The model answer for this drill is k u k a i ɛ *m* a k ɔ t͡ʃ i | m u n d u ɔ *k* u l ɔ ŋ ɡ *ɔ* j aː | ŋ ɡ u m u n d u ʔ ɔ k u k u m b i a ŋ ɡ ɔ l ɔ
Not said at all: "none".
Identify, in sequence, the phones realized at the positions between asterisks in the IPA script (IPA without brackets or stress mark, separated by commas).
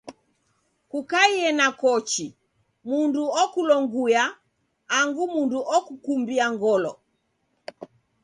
n, k, u